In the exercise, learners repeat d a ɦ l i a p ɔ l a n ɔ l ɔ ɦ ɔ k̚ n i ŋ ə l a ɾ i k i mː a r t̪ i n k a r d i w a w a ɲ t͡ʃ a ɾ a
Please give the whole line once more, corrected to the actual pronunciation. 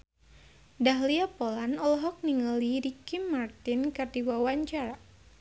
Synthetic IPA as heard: d a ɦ l i a p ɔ l a n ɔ l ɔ ɦ ɔ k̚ n i ŋ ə l i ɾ i k i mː a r t̪ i n k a r d i w a w a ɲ t͡ʃ a ɾ a